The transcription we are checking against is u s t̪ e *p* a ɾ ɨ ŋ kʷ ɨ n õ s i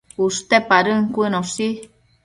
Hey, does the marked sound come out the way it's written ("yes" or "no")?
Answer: yes